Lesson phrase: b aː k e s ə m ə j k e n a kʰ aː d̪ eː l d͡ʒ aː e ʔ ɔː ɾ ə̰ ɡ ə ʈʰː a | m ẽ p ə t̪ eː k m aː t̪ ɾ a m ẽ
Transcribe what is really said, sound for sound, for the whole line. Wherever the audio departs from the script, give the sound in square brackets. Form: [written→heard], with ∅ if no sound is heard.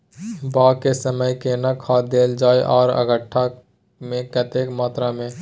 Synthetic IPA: b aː k e s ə m ə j k e n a kʰ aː d̪ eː l d͡ʒ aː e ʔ ɔː ɾ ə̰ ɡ ə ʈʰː a | m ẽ [p→k] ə t̪ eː k m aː t̪ ɾ a m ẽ